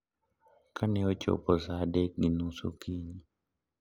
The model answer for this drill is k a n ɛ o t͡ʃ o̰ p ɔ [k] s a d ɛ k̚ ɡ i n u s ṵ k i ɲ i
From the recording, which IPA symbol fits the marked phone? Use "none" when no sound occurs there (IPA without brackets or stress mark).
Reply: none